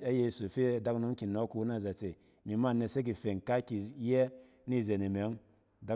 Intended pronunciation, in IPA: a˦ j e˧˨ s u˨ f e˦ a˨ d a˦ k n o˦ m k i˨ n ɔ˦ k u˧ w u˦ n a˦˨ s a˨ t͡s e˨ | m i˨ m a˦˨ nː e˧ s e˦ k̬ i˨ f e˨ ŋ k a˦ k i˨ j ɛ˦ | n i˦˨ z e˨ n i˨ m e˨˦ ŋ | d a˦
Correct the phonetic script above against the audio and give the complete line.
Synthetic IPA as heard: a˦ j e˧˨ s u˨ f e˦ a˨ d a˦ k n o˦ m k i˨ n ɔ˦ k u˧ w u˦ n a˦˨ z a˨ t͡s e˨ | m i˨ m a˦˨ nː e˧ s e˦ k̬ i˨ f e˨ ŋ k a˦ k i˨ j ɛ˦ | n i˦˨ z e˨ n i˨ m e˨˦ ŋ | d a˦